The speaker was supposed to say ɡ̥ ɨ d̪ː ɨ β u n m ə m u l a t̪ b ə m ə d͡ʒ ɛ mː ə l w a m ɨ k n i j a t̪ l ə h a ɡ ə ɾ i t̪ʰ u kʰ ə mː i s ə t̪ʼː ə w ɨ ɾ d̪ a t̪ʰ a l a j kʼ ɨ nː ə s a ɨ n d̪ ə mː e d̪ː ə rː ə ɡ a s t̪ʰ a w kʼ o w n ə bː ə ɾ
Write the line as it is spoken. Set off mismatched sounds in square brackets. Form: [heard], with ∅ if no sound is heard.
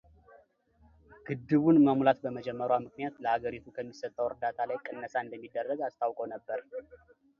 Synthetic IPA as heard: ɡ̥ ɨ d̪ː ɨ β u n m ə m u l a t̪ b ə m ə d͡ʒ ɛ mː ə [ɾ] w a m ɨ k n i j a t̪ l ə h a ɡ ə ɾ i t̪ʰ u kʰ ə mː i s ə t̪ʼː ə w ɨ ɾ d̪ a t̪ʰ a l a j kʼ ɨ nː ə s a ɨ n d̪ ə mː [i] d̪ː ə rː ə ɡ a s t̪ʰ a w kʼ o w n ə bː ə ɾ